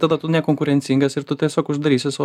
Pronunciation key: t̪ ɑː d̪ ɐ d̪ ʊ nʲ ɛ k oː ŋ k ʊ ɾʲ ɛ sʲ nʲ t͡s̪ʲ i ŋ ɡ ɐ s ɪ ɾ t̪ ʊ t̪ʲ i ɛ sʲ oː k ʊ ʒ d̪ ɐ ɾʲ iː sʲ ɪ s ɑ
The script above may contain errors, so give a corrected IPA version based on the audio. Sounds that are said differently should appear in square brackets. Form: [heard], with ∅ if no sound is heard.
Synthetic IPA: t̪ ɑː d̪ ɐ [t̪] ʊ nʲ ɛ k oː ŋ k ʊ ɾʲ ɛ [∅] nʲ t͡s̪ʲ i ŋ ɡ ɐ s ɪ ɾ t̪ ʊ t̪ʲ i ɛ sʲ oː k ʊ ʒ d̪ ɐ ɾʲ iː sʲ ɪ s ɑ